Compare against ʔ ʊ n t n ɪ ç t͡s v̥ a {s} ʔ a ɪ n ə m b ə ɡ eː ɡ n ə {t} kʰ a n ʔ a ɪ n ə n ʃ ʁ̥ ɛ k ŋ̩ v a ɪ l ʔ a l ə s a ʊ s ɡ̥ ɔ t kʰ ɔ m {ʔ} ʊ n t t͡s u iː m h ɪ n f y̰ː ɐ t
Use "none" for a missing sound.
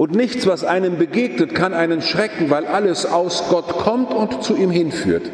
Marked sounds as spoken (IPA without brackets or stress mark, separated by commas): s, t, t